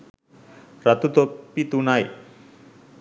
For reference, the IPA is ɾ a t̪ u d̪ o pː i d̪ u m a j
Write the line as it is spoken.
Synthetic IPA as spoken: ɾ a t̪ u t̪ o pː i t̪ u n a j